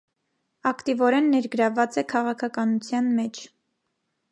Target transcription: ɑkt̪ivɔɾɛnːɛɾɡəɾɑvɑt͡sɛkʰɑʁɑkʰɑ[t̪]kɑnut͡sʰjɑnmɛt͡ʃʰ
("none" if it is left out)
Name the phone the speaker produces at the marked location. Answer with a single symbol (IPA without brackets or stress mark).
none